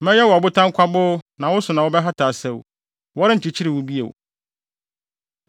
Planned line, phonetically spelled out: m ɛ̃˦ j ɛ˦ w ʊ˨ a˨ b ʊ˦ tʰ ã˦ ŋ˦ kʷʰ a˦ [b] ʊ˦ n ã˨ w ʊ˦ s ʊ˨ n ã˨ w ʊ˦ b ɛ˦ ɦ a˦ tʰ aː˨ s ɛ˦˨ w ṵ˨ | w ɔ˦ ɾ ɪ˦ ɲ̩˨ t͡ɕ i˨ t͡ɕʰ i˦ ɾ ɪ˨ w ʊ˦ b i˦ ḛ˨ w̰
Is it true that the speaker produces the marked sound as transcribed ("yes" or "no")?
yes